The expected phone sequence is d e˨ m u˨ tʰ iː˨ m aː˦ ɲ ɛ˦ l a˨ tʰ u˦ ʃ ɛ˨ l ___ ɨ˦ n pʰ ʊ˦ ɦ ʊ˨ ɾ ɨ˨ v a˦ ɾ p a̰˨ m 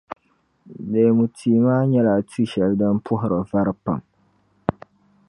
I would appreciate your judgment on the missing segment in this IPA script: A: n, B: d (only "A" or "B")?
B